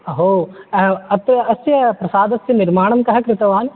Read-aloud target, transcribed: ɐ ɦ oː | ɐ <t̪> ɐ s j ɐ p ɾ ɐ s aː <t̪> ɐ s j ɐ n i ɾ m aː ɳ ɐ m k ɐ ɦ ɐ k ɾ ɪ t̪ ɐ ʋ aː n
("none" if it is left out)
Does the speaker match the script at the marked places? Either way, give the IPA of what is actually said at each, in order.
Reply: t̪, d̪

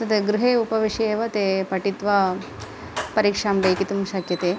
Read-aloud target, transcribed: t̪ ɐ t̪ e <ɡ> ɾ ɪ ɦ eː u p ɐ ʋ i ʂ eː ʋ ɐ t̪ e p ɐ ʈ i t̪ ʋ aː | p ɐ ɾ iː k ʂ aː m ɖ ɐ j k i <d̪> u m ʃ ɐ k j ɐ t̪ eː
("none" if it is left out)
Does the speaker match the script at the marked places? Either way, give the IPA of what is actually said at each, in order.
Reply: ɡ, t̪

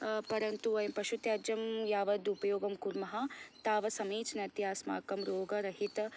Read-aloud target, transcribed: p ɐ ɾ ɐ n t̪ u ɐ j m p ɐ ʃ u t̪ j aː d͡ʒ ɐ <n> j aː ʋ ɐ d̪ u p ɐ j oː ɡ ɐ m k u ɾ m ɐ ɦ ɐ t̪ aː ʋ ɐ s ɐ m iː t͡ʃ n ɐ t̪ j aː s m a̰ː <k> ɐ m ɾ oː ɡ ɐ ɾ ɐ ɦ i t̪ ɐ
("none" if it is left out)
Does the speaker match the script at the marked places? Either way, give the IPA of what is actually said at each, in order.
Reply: m, k

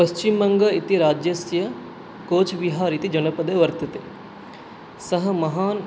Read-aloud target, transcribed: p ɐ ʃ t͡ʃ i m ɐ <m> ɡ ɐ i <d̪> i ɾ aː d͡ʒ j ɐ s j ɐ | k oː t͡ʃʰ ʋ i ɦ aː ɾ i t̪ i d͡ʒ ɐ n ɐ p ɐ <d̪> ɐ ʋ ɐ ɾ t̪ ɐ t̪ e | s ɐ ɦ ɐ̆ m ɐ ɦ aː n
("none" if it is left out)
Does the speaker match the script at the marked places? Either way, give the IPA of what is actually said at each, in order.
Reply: ŋ, t̪, d̪

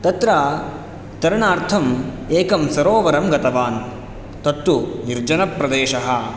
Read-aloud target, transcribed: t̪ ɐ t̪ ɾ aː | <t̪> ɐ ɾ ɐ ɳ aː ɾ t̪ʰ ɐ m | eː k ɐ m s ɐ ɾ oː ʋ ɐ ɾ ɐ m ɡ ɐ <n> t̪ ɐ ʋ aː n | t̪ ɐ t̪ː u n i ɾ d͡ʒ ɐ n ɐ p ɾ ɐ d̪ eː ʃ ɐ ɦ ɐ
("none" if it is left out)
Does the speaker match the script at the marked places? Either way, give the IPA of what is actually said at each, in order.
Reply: t̪, none

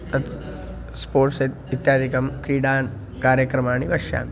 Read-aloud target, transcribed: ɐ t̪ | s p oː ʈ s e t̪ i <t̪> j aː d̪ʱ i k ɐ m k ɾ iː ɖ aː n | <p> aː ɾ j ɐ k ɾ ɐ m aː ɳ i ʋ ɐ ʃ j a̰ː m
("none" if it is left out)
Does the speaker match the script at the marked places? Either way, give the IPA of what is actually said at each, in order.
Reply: t̪, k

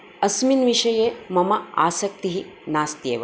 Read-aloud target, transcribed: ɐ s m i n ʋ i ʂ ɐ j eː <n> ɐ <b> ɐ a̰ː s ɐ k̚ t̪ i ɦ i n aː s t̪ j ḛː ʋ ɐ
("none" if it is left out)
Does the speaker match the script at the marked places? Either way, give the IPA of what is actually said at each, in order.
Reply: m, m

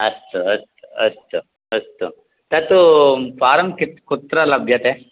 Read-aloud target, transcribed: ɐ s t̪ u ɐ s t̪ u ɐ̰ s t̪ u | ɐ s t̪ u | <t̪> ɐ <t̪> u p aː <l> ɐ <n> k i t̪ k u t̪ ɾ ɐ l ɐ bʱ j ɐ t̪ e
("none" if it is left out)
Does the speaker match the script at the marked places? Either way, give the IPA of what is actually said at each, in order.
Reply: t̪, t̪, ɾ, m

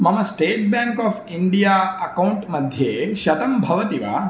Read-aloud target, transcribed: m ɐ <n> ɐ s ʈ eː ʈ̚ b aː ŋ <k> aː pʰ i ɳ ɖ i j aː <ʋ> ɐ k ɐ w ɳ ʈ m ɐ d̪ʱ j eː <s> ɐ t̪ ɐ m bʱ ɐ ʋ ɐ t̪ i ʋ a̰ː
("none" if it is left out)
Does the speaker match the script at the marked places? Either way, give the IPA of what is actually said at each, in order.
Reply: m, k, none, ʃ

